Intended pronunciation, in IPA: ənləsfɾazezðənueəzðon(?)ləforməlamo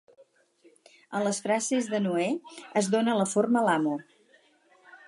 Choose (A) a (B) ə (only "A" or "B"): B